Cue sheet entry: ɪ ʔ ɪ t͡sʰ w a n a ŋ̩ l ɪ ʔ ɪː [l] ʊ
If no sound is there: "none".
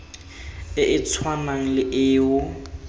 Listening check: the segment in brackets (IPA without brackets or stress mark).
none